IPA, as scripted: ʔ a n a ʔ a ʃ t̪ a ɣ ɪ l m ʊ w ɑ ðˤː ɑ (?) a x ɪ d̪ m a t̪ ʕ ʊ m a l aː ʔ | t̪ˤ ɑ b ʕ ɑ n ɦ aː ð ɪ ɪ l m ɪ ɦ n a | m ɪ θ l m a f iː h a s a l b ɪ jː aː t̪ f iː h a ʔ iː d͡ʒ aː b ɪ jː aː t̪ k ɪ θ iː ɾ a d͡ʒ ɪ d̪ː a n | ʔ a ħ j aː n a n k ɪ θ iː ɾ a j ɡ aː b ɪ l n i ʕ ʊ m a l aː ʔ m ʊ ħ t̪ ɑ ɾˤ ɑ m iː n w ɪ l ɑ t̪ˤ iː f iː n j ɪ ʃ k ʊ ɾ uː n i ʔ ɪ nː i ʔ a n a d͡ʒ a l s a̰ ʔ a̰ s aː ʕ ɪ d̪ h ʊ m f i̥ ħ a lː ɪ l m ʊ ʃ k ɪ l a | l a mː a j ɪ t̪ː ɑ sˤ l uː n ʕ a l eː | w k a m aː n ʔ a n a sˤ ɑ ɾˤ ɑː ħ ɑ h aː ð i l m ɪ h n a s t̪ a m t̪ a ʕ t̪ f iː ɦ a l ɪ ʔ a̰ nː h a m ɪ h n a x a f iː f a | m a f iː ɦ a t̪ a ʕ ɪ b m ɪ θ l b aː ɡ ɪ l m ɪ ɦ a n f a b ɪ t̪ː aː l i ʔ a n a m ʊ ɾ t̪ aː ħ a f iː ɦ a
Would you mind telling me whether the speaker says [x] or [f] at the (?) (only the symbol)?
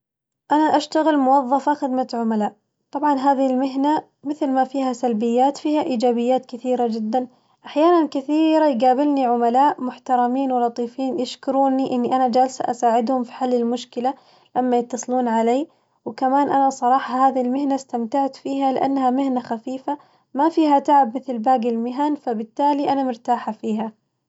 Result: f